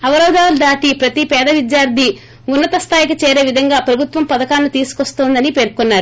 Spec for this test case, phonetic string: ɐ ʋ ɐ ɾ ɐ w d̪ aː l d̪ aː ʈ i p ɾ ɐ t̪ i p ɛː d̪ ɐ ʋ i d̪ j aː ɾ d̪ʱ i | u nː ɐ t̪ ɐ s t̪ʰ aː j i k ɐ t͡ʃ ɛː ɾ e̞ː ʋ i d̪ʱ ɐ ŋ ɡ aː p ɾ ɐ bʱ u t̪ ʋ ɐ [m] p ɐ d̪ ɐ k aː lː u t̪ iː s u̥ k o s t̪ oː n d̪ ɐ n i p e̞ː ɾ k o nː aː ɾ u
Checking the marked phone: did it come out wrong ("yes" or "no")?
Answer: no